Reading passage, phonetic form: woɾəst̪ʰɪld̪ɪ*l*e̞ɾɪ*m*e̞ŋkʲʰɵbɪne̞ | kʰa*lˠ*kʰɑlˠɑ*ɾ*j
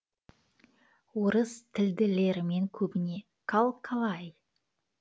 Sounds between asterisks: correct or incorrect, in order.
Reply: correct, correct, correct, incorrect: none

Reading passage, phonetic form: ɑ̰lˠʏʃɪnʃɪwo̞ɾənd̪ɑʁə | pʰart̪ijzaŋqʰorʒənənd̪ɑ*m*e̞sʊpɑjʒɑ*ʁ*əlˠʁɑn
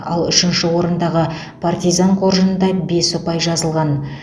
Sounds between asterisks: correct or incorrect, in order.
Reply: incorrect: b, incorrect: z

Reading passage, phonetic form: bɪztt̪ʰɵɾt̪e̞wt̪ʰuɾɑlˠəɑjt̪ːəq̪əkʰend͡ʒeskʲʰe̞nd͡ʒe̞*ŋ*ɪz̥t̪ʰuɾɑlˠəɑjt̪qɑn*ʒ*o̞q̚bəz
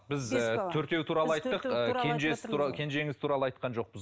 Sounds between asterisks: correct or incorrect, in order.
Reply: correct, correct

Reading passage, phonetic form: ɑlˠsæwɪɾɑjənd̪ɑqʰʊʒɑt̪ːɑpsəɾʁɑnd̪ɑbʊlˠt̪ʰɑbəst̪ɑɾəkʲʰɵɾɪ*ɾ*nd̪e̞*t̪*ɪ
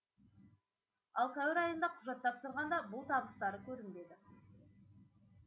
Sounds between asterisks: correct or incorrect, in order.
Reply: incorrect: none, incorrect: d̪

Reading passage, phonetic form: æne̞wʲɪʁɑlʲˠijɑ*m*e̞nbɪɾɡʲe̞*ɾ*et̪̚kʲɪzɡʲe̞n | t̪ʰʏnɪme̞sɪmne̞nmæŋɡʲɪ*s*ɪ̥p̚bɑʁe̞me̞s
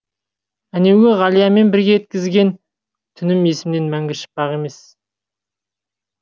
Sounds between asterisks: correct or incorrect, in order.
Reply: correct, incorrect: none, incorrect: ʃ

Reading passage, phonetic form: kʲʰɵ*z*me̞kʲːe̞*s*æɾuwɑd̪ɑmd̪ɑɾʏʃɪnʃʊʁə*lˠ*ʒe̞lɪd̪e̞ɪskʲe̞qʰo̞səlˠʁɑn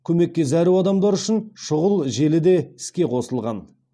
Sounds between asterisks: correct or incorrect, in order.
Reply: incorrect: none, incorrect: z, correct

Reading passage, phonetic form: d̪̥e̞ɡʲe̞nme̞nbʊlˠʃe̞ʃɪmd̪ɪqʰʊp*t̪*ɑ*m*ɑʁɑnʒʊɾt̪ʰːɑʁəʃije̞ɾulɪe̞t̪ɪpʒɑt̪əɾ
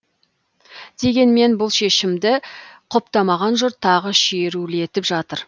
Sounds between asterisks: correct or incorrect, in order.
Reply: correct, correct

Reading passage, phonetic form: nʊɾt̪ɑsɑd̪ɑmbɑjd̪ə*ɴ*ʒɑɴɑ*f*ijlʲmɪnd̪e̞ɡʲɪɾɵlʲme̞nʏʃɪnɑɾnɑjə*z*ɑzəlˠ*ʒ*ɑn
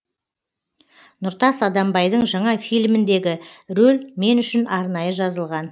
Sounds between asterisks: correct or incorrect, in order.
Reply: correct, correct, incorrect: ʒ, incorrect: ʁ

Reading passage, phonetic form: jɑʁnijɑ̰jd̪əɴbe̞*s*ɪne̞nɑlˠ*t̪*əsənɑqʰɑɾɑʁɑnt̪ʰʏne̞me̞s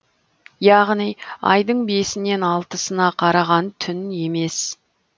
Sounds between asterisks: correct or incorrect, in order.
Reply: correct, correct

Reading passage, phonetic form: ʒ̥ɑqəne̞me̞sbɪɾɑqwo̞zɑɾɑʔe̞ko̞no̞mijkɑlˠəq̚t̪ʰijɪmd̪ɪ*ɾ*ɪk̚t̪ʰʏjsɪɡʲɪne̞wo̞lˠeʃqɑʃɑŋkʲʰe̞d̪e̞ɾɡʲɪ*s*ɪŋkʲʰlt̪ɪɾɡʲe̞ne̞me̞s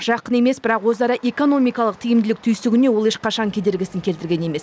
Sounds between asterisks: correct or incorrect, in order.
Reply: incorrect: l, correct

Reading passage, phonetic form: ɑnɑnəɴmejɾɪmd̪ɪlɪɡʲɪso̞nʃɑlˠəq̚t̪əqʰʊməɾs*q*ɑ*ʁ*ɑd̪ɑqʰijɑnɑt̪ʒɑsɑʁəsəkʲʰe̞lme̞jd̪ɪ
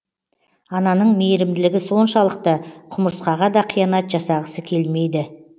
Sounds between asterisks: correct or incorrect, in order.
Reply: correct, correct

